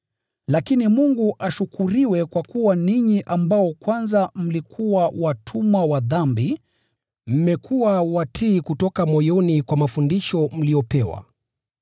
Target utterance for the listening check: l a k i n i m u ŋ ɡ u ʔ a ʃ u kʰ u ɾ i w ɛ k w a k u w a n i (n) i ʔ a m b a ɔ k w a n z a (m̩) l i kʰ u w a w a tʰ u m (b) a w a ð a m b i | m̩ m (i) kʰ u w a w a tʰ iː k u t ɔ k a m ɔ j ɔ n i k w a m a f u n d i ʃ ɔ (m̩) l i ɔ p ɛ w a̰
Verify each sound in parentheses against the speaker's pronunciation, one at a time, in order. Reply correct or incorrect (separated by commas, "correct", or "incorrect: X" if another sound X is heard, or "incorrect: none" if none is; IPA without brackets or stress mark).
incorrect: ɲ, correct, incorrect: w, incorrect: ɛ, correct